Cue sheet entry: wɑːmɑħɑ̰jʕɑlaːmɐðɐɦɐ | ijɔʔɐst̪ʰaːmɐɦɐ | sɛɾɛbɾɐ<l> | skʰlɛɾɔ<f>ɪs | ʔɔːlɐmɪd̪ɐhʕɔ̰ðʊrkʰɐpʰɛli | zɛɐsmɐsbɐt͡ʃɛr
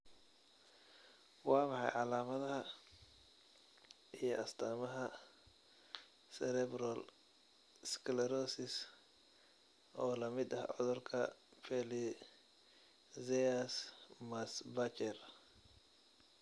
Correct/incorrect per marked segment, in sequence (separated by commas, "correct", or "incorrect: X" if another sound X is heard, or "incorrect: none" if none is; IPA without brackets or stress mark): correct, incorrect: s